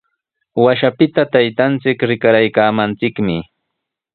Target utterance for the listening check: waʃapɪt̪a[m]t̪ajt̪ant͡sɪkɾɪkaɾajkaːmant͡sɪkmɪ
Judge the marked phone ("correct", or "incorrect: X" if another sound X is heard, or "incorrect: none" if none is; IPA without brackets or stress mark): incorrect: none